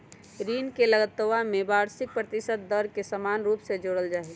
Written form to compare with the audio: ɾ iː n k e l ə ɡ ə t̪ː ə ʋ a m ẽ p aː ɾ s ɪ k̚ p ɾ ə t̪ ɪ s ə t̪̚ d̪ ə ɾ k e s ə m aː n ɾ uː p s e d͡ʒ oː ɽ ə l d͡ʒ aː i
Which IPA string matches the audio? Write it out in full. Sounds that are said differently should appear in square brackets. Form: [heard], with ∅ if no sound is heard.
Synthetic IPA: ɾ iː n k e l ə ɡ ə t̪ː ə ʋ a m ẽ [b] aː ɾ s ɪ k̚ p ɾ ə t̪ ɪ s ə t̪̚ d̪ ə ɾ k e s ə m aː n ɾ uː p s e d͡ʒ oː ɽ ə l d͡ʒ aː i